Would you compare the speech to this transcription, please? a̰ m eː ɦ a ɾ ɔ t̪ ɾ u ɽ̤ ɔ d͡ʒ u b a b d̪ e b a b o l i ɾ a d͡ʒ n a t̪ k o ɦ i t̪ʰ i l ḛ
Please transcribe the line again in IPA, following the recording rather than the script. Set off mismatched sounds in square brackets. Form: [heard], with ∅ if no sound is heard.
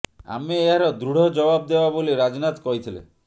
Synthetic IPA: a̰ m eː ɦ a ɾ ɔ [d̪] ɾ u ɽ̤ ɔ d͡ʒ [ɔ] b a b d̪ e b a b o l i ɾ a d͡ʒ n a t̪ k [ɔ] ɦ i t̪ʰ i l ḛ